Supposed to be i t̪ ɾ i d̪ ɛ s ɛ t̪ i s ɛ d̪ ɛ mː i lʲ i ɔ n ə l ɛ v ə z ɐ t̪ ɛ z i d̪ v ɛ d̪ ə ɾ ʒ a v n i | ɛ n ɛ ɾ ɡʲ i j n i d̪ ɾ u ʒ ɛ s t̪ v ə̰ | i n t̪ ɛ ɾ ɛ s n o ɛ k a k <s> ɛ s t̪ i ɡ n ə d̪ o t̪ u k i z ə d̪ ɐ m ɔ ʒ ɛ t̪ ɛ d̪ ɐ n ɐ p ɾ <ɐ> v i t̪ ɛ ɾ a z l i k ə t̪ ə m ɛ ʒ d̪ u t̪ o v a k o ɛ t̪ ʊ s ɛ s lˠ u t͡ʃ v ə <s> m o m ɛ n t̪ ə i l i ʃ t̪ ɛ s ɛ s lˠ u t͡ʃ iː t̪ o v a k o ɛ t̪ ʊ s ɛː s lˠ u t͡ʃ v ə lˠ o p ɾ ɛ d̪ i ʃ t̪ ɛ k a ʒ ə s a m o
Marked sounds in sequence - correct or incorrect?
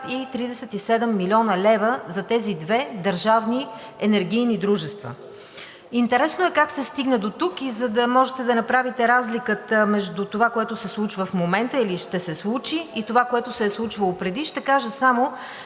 correct, incorrect, incorrect

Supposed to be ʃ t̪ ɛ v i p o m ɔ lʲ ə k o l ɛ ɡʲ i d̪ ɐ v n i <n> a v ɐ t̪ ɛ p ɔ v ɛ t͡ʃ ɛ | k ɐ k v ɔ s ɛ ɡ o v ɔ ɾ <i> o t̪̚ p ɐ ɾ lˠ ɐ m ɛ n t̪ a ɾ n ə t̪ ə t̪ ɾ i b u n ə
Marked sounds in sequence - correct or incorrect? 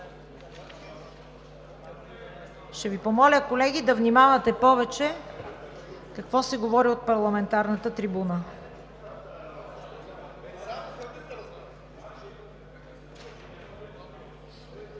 incorrect, correct

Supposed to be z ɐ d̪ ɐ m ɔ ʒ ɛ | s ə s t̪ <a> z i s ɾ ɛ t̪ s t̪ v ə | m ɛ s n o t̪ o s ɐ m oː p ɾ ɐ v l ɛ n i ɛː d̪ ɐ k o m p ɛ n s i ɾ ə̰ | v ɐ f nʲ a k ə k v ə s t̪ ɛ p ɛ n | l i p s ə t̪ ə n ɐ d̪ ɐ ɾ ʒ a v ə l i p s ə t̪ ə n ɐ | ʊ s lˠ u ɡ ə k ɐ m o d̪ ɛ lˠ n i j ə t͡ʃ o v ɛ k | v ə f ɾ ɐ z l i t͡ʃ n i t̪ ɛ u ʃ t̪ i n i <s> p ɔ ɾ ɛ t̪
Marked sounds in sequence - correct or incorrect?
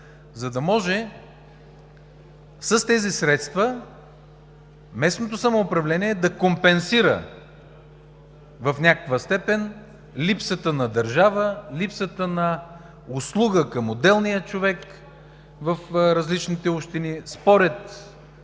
incorrect, correct

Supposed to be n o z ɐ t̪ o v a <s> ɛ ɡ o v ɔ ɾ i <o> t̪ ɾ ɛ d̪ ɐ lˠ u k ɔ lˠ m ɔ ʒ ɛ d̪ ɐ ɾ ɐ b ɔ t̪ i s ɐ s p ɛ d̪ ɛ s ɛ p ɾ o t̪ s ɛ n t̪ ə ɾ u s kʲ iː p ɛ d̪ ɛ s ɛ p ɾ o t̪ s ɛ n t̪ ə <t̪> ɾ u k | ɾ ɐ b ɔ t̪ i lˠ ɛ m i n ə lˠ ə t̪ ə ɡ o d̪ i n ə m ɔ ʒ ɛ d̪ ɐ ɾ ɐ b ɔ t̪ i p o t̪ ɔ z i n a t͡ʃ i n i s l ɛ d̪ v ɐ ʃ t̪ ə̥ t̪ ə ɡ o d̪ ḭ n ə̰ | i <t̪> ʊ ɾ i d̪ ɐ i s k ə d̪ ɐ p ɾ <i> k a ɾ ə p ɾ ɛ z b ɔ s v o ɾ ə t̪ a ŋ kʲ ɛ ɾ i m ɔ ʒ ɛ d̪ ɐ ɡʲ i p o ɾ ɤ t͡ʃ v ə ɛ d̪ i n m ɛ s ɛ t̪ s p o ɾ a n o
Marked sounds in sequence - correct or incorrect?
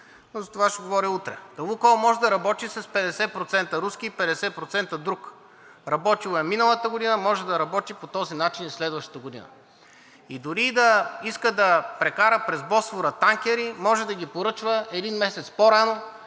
incorrect, incorrect, incorrect, incorrect, incorrect

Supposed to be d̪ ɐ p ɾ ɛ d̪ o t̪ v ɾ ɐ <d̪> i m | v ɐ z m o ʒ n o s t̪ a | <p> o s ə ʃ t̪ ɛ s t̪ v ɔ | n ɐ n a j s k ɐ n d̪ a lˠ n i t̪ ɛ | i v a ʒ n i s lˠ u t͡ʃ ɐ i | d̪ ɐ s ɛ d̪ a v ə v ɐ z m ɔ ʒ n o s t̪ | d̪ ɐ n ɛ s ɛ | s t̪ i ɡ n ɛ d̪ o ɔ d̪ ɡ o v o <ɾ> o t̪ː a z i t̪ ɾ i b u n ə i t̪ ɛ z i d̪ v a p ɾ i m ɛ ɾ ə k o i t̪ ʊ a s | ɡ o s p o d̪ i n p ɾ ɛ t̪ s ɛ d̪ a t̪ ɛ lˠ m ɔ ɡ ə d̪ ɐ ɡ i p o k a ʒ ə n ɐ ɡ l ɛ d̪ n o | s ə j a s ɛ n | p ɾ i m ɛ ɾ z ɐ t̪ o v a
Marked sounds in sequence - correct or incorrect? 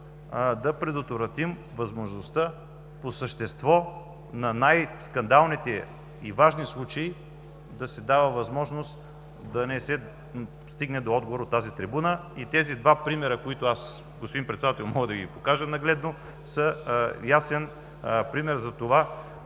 incorrect, correct, correct

